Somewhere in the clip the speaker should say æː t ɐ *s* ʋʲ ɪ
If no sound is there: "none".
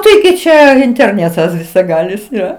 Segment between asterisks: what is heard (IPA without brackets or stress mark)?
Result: s